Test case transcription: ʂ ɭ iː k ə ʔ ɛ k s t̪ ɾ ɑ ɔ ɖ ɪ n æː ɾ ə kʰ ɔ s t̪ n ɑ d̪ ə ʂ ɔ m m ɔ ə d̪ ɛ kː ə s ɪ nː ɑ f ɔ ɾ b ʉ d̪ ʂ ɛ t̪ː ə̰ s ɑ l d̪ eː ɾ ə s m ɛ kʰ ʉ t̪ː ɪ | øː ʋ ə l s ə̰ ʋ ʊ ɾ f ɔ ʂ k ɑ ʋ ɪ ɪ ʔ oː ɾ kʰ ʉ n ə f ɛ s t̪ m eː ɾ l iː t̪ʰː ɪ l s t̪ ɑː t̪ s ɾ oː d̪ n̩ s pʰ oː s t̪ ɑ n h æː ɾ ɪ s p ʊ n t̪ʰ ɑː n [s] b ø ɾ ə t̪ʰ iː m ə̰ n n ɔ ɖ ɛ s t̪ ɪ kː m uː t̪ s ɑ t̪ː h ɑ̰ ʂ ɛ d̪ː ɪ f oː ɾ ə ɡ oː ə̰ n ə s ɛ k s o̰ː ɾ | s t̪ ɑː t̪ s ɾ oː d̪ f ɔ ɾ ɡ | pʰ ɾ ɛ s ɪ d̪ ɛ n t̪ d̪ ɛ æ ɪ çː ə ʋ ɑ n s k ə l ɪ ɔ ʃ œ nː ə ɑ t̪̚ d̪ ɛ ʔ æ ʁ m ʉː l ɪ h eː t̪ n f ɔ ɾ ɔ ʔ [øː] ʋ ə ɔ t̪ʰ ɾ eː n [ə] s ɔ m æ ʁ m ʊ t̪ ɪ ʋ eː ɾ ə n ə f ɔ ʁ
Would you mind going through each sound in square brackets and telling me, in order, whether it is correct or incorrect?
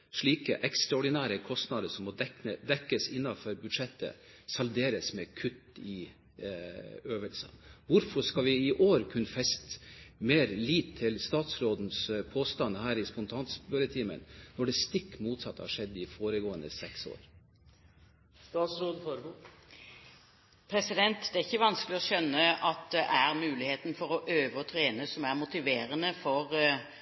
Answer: correct, correct, correct

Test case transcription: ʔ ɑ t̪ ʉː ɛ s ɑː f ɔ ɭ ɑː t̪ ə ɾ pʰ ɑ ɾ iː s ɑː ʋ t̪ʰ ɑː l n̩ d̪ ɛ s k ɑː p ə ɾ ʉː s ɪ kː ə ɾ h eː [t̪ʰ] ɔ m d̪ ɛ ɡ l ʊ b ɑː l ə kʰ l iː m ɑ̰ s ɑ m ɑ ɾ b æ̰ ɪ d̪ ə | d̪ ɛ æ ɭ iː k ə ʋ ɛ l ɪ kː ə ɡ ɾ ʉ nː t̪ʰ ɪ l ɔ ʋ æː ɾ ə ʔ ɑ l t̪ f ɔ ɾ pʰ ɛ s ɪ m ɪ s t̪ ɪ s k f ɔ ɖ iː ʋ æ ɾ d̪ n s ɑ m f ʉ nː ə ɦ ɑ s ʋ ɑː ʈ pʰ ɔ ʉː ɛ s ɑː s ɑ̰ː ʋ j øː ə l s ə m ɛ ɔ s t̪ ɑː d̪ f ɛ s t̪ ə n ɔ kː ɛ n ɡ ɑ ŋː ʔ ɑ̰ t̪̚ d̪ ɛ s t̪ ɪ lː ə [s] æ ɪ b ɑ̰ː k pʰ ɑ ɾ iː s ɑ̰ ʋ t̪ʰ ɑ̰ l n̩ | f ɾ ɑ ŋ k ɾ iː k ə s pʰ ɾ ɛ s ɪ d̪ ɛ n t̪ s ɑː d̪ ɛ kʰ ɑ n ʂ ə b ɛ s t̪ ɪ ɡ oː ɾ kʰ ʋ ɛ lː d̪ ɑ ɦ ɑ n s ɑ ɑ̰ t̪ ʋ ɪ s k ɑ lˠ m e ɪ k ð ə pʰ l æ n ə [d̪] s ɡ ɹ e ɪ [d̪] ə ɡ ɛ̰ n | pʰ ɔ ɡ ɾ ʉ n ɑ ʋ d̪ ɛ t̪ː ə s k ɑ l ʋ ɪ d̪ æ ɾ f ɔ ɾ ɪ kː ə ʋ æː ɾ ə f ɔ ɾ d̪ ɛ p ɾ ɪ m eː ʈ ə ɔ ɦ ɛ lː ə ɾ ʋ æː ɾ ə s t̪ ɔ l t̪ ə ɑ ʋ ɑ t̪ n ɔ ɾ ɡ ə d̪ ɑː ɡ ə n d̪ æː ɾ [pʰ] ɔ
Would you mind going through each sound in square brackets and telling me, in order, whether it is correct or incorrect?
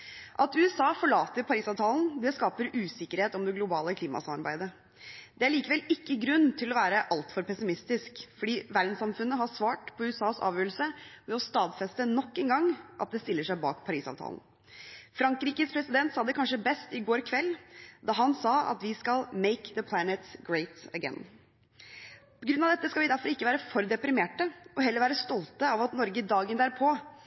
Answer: incorrect: t̪, incorrect: ʂ, incorrect: t̪, incorrect: t̪, correct

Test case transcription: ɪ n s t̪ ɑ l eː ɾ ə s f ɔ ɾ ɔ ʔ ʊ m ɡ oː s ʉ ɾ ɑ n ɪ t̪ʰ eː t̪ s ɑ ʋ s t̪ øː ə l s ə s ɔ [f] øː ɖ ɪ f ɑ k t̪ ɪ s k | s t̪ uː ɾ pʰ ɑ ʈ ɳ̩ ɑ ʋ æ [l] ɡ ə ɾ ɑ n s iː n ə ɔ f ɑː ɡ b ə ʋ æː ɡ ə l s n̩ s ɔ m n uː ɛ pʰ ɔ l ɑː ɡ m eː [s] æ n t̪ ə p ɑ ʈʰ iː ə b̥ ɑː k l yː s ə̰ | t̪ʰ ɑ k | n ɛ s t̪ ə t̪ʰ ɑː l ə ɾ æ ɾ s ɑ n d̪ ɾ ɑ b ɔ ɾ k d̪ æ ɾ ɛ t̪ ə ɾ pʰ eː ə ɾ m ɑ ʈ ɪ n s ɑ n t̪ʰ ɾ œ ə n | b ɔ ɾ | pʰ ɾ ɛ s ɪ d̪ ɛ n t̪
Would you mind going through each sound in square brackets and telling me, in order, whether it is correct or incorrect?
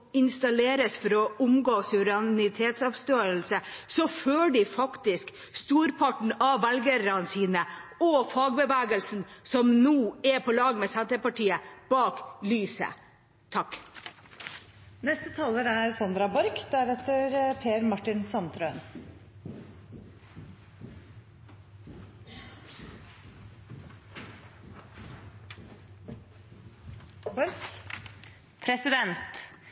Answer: correct, correct, correct

